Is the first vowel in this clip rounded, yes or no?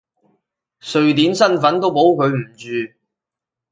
yes